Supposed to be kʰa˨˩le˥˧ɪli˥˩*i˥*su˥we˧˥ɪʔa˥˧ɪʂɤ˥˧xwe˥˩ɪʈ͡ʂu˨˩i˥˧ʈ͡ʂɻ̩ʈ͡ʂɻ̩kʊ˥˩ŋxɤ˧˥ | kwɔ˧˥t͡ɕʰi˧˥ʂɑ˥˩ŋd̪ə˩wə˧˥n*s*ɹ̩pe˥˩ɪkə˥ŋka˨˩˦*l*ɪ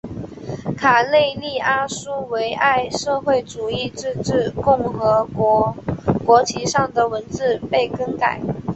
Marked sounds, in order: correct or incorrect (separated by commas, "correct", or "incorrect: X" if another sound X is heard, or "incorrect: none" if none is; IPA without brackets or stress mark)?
incorrect: a˥, incorrect: t͡s, incorrect: none